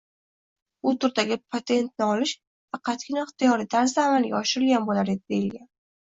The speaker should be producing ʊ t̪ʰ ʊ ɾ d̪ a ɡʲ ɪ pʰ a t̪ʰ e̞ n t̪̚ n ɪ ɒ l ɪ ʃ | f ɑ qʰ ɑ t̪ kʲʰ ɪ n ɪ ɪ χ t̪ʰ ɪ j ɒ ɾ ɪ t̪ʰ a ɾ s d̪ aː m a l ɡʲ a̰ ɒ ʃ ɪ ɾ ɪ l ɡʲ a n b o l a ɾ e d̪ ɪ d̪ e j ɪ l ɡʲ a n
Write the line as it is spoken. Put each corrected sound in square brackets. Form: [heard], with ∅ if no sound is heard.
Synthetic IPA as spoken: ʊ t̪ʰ ʊ ɾ d̪ a ɡʲ ɪ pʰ a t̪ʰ e̞ n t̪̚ n ɪ ɒ l ɪ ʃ | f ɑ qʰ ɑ t̪ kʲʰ ɪ n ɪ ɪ χ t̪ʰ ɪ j ɒ ɾ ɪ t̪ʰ a ɾ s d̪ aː m a l ɡʲ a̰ ɒ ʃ ɪ ɾ ɪ l ɡʲ a n b o l a ɾ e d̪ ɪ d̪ e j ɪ l ɡʲ a n